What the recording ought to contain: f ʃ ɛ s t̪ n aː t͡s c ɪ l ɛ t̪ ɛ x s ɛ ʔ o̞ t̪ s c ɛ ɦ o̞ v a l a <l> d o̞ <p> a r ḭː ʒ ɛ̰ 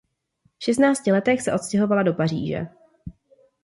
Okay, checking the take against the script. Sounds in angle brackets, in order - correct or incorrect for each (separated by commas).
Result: incorrect, correct